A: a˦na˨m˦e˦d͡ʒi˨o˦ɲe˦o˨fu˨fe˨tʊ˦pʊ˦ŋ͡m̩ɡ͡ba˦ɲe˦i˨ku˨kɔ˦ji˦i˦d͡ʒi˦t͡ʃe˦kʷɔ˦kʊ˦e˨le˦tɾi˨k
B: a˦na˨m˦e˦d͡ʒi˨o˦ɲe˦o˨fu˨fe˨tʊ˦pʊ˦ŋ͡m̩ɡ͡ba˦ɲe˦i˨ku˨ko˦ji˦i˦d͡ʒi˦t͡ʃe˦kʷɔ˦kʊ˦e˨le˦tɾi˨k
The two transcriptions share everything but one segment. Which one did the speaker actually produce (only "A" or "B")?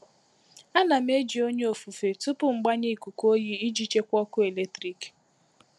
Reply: B